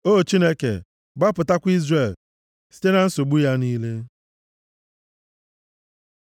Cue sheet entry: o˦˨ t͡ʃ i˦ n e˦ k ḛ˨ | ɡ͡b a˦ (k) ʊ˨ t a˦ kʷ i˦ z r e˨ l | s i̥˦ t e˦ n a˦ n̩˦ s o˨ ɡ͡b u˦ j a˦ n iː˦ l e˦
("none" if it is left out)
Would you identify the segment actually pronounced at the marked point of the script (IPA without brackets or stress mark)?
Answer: p